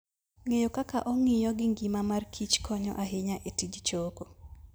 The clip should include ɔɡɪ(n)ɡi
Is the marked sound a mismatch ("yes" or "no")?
yes